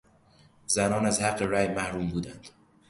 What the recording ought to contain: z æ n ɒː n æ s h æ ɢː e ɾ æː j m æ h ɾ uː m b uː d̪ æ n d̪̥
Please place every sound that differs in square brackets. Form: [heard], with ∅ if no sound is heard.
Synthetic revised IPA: z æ n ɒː n æ [z] h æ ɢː e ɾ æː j m æ h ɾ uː m b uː d̪ æ n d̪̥